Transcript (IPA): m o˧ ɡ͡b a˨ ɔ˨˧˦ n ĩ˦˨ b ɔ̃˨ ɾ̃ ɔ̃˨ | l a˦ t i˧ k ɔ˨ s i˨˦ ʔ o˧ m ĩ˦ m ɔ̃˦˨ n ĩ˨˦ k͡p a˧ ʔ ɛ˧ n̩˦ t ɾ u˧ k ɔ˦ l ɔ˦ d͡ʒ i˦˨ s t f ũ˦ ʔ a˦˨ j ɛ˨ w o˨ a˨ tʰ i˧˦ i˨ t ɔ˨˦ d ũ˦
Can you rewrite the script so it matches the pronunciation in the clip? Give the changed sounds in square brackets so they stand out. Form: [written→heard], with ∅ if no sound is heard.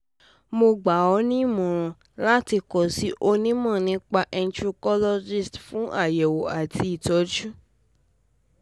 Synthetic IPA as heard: m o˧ ɡ͡b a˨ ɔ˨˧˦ n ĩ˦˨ [b→m] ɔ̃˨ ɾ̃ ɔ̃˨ | l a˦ t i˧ k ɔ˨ s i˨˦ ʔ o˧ [m→n] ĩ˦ m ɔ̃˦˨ n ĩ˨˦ k͡p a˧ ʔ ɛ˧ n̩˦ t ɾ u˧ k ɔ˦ l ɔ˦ d͡ʒ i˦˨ s t f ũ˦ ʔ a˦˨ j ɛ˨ w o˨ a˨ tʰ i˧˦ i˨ t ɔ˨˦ [d→d͡ʒ] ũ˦